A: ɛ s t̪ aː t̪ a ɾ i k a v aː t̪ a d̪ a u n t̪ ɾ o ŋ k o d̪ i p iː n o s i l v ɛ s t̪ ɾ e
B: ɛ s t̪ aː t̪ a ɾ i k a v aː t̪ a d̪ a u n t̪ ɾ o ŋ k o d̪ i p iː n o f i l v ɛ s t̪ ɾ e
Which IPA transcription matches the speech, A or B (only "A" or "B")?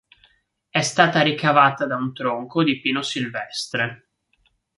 A